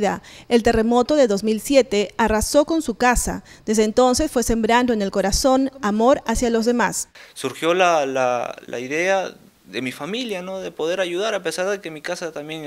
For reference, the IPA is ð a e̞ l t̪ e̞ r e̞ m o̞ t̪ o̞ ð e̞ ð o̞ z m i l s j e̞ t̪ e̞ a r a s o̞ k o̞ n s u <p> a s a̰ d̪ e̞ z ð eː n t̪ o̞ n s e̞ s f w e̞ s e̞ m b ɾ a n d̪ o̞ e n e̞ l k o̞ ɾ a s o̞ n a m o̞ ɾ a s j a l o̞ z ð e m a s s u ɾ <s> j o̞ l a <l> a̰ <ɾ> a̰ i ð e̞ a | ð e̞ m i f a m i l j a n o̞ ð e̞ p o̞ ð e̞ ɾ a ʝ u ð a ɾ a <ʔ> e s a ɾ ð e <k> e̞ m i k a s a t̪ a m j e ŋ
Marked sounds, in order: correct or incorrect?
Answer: incorrect: k, incorrect: x, correct, incorrect: l, incorrect: p, correct

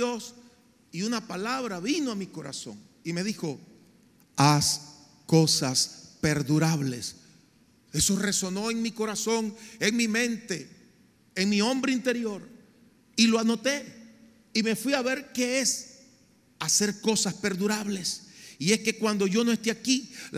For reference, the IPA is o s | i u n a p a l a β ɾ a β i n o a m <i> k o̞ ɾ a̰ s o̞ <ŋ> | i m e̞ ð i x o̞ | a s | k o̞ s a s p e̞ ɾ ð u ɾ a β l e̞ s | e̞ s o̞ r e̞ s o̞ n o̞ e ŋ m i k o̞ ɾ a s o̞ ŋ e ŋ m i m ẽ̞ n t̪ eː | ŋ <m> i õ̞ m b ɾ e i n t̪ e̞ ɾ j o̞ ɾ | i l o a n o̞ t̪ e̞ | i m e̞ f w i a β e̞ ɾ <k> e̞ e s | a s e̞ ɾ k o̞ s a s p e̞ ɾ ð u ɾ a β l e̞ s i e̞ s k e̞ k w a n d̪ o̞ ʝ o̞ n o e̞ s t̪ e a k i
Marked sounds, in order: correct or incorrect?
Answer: correct, correct, correct, correct

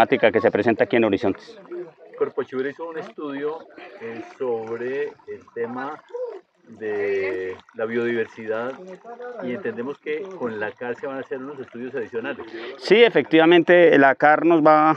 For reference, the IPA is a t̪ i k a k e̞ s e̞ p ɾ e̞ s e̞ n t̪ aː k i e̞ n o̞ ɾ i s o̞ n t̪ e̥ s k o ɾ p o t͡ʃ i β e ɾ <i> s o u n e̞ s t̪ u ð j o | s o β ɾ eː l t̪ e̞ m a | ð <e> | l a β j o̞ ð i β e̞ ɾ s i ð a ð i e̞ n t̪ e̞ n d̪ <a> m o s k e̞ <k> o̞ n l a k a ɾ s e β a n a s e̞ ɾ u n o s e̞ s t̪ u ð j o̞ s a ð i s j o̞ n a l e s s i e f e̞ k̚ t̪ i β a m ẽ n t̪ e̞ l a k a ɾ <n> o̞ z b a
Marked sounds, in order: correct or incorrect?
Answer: correct, correct, incorrect: e, correct, correct

